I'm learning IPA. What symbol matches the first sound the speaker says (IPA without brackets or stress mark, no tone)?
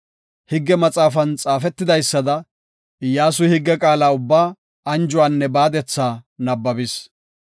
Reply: h